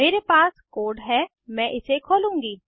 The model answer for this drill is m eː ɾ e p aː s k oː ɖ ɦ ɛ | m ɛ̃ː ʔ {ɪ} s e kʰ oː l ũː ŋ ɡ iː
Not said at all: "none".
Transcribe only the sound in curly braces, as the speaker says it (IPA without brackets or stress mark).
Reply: ɪ